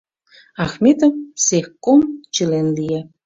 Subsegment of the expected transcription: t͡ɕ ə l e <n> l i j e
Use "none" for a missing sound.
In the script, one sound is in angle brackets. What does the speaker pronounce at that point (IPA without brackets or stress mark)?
n